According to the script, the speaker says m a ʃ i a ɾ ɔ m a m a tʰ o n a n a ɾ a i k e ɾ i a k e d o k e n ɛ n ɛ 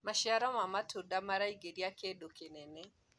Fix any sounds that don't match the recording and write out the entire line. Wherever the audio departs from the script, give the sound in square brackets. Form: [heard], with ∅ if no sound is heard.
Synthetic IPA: m a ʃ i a ɾ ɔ m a m a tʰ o [d] a [m] a ɾ a i [ɡ] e ɾ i a k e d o k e n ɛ n ɛ